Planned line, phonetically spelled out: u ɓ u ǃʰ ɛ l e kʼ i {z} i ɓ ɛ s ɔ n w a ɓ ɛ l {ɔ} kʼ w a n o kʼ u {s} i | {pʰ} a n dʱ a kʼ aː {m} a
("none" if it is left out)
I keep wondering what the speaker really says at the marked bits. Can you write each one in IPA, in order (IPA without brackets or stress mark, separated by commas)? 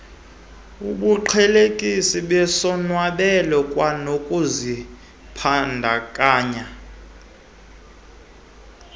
s, ɔ, z, pʰ, ɲ